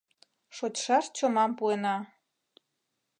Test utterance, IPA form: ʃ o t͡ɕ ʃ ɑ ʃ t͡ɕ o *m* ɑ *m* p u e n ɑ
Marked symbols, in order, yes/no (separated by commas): yes, yes